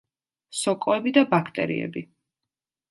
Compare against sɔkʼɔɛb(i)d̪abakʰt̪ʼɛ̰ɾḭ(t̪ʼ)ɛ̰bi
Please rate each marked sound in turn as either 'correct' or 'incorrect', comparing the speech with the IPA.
correct, incorrect: none

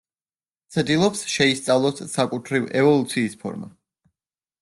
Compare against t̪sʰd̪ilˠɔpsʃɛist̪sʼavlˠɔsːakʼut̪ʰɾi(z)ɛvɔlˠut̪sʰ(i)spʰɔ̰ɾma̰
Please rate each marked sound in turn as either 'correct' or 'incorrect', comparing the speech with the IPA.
incorrect: v, incorrect: iː

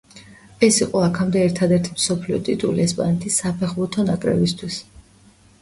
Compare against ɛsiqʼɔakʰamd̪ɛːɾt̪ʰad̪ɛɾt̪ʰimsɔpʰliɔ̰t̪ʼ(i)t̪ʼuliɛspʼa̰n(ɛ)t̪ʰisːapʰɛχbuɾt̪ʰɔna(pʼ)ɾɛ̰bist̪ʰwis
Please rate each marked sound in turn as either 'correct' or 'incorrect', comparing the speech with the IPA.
correct, correct, incorrect: kʼ

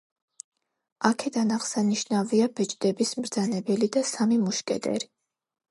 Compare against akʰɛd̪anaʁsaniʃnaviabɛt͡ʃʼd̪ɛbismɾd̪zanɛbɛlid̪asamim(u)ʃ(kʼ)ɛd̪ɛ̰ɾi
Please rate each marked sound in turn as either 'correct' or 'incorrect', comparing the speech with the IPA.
correct, correct

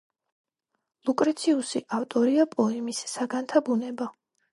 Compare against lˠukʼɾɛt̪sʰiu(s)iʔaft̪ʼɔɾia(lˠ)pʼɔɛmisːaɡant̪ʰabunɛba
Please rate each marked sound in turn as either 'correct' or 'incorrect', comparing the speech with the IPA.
correct, incorrect: none

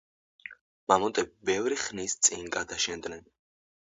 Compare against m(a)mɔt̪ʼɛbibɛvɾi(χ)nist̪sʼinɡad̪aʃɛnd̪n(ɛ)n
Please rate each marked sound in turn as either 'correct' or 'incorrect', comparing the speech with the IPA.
correct, correct, correct

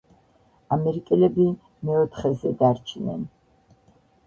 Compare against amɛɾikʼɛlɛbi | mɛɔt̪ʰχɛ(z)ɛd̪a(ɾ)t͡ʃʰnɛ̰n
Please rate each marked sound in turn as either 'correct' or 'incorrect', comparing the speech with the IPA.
correct, correct

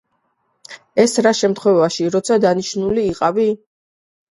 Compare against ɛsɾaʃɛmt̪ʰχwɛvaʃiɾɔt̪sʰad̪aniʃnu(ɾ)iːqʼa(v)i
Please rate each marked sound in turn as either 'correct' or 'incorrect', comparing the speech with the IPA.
incorrect: l, correct

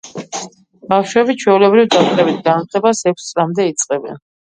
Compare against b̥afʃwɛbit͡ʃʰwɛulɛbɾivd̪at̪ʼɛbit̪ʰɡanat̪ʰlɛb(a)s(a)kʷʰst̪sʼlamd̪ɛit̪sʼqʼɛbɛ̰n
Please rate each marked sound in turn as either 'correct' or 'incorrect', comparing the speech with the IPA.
correct, incorrect: ɛ

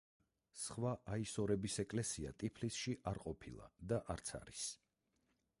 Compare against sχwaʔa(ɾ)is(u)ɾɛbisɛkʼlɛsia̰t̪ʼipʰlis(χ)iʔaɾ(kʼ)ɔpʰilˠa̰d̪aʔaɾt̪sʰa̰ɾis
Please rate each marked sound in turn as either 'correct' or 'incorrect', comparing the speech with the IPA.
incorrect: none, incorrect: ɔ, incorrect: ʃ, incorrect: qʼ

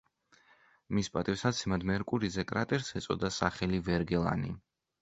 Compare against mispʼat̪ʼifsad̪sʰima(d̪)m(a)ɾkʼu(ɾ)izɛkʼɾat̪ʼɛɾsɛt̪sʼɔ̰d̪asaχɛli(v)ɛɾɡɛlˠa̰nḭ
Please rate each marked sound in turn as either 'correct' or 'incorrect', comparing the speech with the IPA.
correct, incorrect: ɛ, correct, correct

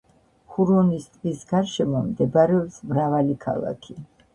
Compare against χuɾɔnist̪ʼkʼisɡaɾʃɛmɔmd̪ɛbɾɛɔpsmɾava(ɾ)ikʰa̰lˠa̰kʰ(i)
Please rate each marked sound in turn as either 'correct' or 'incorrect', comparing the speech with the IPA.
incorrect: l, correct

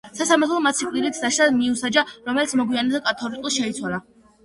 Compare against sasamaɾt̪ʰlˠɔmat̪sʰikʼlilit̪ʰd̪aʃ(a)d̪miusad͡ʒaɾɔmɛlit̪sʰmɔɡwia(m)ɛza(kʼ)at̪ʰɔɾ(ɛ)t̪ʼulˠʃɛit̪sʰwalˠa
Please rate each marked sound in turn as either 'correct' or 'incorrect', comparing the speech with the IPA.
correct, incorrect: n, correct, incorrect: i

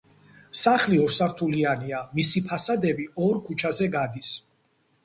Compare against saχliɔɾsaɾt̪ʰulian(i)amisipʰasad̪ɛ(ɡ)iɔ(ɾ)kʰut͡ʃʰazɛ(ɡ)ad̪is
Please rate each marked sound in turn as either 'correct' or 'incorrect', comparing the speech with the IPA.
correct, incorrect: b, correct, correct

